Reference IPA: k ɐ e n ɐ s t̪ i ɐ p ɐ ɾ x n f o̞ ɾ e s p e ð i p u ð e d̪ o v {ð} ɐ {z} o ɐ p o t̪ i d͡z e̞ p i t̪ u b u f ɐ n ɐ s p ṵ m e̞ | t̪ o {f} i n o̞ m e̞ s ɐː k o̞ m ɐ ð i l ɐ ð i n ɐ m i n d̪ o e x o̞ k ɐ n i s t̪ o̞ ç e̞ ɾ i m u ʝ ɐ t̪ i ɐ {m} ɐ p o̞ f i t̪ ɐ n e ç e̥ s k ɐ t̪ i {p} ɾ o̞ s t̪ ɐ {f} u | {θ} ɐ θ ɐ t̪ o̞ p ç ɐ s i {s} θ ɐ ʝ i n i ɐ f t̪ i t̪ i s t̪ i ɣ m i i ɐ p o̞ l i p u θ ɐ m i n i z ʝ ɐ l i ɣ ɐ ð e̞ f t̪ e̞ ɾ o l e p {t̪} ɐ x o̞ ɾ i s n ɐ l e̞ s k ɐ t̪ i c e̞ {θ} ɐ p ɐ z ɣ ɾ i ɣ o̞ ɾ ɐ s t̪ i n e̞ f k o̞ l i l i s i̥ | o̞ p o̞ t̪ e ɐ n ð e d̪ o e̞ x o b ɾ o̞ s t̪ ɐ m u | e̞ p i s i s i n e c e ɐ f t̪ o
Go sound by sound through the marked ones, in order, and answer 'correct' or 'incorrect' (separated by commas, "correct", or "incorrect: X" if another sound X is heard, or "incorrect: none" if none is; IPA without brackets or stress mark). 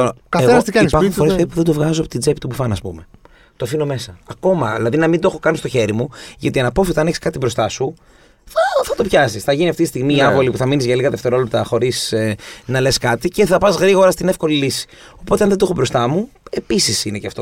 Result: incorrect: ɣ, correct, correct, incorrect: n, incorrect: b, incorrect: s, correct, correct, correct, correct